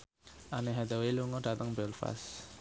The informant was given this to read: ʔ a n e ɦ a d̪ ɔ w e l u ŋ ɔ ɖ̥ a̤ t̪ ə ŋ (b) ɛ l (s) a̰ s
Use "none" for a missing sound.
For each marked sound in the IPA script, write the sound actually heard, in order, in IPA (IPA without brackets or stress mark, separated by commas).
b, f